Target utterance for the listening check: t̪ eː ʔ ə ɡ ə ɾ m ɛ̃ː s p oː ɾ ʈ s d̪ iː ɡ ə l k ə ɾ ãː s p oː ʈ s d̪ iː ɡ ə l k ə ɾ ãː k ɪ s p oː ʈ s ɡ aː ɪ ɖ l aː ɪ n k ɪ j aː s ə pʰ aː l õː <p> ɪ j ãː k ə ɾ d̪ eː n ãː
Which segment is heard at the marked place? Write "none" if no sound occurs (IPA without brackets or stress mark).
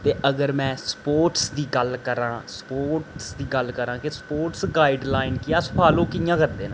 k